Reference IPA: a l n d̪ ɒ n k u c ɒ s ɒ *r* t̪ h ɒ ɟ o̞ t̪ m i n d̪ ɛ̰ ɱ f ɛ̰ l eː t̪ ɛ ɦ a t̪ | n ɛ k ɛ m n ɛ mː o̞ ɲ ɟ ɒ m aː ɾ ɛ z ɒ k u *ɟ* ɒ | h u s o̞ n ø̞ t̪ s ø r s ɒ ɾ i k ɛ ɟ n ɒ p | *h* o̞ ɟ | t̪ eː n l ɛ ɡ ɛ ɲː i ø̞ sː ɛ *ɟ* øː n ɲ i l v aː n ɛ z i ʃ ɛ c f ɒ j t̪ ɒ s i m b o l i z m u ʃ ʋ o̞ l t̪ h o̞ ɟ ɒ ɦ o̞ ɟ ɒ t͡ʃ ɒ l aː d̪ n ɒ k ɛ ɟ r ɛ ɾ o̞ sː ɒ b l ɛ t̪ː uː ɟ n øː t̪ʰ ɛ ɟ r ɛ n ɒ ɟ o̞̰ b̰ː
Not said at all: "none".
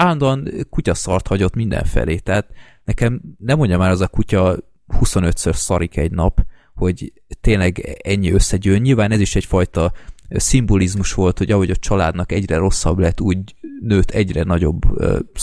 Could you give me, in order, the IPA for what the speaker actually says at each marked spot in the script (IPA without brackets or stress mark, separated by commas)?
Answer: r, c, h, ɟ